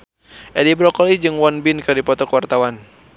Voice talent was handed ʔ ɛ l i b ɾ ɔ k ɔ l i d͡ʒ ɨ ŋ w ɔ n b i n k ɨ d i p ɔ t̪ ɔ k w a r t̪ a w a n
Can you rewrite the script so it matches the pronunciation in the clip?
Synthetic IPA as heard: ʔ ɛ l i b ɾ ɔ k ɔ l i d͡ʒ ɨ ŋ w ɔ n b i n k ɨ d i p ɔ t̪ ɔ k w a r t̪ a w a n